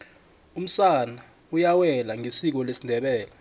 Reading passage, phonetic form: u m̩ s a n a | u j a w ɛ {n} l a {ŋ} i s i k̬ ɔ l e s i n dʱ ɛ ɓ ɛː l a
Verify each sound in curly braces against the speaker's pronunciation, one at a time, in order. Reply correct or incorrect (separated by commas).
incorrect, correct